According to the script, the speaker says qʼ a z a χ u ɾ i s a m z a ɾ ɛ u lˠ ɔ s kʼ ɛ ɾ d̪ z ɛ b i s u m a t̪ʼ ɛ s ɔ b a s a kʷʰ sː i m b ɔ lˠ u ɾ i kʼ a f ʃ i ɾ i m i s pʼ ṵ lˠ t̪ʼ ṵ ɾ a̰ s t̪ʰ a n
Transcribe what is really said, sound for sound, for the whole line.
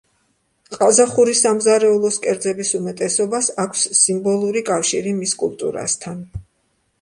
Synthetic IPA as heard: qʼ a z a χ u ɾ i s a m z a ɾ ɛ u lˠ ɔ s kʼ ɛ ɾ d̪ z ɛ b i s u m ɛ t̪ʼ ɛ s ɔ b a s a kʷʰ sː i m b ɔ lˠ u ɾ i kʼ a f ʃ i ɾ i m i s kʼ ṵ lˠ t̪ʼ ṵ ɾ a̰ s t̪ʰ a n